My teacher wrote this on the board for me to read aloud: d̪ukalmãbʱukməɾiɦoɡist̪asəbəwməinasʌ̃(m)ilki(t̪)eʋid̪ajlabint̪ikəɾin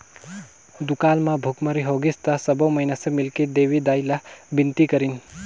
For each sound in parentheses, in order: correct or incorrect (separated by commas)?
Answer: correct, incorrect